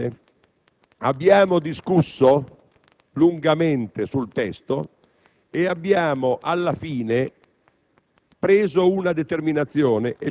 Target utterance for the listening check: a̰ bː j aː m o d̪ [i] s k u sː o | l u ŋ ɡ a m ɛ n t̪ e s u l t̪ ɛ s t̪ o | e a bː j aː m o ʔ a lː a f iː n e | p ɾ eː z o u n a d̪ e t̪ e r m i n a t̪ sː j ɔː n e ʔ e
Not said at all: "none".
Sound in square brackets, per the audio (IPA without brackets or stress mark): i